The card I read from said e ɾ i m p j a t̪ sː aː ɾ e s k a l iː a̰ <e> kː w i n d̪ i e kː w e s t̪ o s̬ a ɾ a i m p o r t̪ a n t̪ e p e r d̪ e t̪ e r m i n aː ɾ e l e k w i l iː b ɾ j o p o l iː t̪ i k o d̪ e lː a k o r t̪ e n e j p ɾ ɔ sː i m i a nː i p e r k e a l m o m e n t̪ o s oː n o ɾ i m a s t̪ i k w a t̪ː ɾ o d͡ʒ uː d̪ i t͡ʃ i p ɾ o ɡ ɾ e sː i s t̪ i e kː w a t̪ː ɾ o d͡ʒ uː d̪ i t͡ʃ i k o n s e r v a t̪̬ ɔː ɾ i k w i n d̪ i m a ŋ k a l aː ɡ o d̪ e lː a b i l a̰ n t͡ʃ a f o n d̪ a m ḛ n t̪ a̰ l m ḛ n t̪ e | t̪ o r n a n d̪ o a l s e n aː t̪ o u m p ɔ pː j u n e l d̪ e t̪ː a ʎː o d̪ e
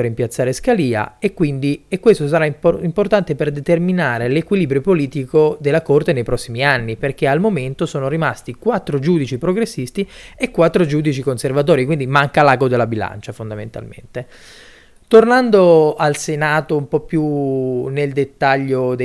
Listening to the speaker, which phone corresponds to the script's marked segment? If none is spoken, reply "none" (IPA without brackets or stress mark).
e